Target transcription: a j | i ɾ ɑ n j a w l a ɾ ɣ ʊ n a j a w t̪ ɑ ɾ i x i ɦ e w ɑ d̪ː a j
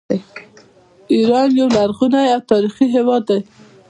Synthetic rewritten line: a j | i ɾ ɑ n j a w l a ɾ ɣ u n a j a w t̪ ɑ ɾ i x i ɦ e w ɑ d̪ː a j

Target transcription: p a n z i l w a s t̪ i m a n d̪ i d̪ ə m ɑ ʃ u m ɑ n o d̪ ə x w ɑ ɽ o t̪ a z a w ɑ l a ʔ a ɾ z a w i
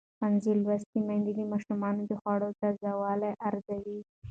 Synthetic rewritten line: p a n z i l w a s t̪ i m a n d̪ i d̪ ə m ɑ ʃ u m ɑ n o d̪ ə x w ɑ ɽ o t̪ a z a w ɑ l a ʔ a ɾ z a w i

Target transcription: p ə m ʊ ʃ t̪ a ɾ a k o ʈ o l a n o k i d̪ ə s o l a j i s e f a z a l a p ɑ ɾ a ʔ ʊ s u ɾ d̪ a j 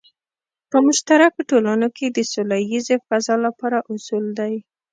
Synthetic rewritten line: p ə m ʊ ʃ t̪ a ɾ a k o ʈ o l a n o k e d̪ ə s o l a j i z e f a z ɑ l a p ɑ ɾ a ʔ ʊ s u l d̪ a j

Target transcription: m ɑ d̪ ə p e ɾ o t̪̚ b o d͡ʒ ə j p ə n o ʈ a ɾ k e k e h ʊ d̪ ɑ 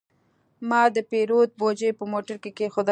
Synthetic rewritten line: m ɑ d̪ ə p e ɾ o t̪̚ b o d͡ʒ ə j p ə m o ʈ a ɾ k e k e x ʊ d̪ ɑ

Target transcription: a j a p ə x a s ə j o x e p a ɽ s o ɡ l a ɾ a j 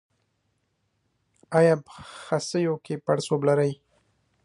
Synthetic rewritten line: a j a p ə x a s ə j o k e p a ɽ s o b l a ɾ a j

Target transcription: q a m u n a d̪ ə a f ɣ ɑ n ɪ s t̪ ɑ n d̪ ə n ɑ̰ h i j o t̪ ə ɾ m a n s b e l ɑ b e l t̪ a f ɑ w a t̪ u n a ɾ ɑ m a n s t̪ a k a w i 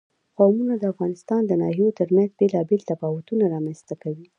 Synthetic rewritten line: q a m u n a d̪ ə a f ɣ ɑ n ɪ s t̪ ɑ n d̪ ə n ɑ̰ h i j o t̪ ə ɾ m a n z b e l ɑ b e l t̪ a f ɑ w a t̪ u n a ɾ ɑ m a n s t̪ a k a w i

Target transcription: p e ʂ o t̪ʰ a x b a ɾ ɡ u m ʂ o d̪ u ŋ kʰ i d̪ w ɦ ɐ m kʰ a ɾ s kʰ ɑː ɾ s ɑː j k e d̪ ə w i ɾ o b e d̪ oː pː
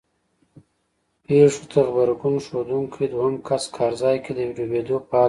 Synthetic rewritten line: p e ʂ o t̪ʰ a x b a ɾ ɡ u n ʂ o d̪ u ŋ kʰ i d̪ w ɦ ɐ m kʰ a s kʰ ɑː ɾ z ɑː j k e d̪ ə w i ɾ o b e d̪ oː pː

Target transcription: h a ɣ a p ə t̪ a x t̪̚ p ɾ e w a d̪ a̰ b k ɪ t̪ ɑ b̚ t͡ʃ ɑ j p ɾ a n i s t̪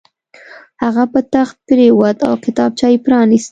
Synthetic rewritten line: h a ɣ a p ə t̪ a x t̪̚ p ɾ e w a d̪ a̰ w k ɪ t̪ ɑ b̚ t͡ʃ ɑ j p ɾ ɑ n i s t̪

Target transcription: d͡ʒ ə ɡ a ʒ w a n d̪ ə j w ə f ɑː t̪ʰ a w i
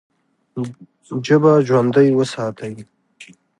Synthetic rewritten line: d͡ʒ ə b a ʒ w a n d̪ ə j w ə s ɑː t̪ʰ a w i

